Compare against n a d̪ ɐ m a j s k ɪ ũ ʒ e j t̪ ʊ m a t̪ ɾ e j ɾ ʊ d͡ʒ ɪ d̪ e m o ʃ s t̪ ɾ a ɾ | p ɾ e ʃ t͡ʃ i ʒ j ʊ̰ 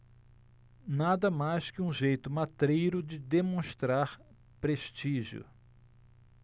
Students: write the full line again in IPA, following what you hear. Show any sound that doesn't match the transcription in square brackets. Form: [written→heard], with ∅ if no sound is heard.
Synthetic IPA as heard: n a d̪ ɐ m a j s k ɪ ũ ʒ e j t̪ ʊ m a t̪ ɾ e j ɾ ʊ d͡ʒ ɪ d̪ e m [o→õ] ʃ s t̪ ɾ a ɾ | p ɾ e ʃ t͡ʃ i ʒ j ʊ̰